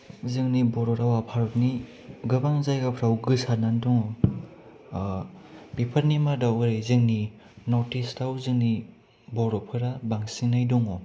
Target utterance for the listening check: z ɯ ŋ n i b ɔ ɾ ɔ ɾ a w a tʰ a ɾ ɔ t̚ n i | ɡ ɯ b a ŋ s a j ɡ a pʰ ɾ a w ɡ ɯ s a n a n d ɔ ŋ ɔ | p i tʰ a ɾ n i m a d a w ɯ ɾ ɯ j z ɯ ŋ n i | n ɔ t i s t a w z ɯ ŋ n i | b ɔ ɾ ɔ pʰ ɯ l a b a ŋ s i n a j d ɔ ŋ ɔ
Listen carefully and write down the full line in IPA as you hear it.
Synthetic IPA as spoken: z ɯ ŋ n i b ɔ ɾ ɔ ɾ a w a pʰ a ɾ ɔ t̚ n i | ɡ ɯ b a ŋ z a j ɡ a pʰ ɾ a w ɡ ɯ s a n a n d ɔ ŋ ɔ | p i pʰ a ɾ n i m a d a w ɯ ɾ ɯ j z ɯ ŋ n i | n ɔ t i s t a w z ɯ ŋ n i | b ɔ ɾ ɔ pʰ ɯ ɾ a b a ŋ s i n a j d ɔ ŋ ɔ